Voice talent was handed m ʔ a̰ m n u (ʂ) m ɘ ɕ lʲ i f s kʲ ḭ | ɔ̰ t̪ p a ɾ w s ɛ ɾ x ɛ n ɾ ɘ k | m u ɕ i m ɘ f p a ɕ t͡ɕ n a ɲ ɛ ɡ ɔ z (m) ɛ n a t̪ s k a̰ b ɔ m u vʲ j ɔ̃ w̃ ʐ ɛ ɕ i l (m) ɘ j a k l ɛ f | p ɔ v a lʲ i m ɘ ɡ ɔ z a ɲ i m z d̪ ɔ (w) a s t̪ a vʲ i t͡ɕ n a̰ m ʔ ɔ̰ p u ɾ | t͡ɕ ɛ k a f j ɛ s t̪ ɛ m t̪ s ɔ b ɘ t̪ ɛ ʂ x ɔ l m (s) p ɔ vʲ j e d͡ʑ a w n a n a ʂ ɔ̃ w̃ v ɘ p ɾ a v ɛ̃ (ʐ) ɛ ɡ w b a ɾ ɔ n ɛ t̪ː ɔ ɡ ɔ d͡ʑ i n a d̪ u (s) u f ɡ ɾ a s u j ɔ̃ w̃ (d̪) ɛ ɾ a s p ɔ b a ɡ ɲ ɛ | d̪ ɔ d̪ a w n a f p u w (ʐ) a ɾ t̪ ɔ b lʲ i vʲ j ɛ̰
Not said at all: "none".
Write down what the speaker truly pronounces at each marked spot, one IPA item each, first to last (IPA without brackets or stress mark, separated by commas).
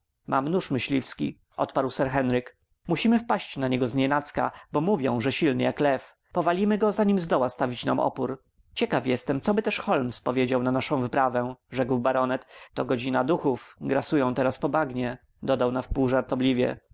ʂ, ɲ, n, w, s, ʐ, x, t̪, ʐ